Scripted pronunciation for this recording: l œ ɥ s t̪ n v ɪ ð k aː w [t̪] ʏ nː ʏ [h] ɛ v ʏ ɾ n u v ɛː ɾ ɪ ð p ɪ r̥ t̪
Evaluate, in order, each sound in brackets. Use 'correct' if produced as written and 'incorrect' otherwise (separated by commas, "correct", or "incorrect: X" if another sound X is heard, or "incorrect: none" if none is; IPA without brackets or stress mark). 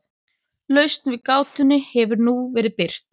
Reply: correct, correct